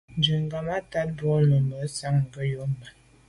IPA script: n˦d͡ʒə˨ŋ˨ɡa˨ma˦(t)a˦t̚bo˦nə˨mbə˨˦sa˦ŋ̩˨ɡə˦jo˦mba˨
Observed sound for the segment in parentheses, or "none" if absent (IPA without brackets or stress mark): t